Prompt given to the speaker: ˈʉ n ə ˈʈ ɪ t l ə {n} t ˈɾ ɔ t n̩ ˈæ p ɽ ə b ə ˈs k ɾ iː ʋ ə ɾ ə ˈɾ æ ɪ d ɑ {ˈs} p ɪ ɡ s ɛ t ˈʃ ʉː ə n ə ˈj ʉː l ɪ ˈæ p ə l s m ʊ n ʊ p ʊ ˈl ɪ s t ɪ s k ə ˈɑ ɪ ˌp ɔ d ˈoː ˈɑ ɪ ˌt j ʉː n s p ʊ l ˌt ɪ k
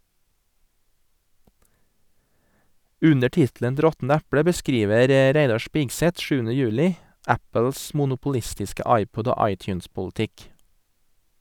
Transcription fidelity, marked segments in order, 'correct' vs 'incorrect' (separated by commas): correct, incorrect